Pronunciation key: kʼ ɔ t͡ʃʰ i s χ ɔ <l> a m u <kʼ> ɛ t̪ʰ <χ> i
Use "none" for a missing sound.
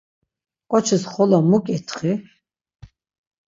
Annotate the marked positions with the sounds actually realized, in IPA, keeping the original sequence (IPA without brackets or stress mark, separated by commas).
l, kʼ, χ